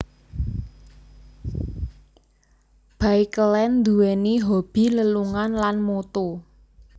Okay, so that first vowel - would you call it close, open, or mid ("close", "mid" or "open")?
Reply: open